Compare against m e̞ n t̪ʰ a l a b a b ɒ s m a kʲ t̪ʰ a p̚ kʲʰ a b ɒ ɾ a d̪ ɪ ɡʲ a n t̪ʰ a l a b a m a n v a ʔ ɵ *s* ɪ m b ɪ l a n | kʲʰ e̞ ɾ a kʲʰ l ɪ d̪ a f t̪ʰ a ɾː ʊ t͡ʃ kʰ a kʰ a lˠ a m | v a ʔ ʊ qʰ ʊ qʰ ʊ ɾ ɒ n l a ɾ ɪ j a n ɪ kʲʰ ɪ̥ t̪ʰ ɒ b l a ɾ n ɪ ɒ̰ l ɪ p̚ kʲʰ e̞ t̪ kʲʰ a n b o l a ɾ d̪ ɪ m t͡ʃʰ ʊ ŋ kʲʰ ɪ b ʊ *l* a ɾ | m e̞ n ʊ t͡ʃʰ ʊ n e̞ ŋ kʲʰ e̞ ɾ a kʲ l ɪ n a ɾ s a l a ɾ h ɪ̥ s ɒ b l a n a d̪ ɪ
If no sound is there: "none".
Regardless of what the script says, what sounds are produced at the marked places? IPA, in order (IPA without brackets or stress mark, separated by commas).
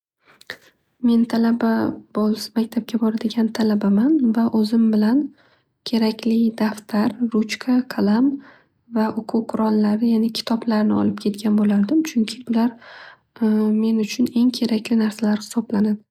z, l